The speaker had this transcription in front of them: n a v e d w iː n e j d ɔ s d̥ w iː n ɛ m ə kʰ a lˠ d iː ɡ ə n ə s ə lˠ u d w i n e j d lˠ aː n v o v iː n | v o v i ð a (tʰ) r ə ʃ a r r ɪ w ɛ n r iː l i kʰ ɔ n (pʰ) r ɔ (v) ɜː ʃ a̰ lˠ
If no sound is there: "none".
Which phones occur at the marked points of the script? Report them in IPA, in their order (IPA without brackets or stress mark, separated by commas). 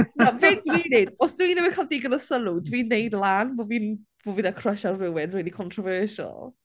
kʰ, tʰ, v